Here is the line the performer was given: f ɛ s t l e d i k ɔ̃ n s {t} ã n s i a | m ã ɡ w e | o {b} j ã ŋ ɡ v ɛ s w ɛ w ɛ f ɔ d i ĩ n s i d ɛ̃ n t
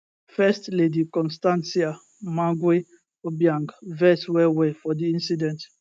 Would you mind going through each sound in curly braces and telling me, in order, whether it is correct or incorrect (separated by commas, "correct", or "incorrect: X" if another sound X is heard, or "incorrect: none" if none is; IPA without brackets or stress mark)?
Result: correct, correct